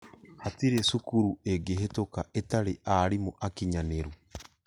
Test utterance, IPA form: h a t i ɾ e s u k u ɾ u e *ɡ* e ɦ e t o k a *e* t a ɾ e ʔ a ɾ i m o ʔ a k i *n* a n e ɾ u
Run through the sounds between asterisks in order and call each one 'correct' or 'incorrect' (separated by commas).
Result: correct, correct, incorrect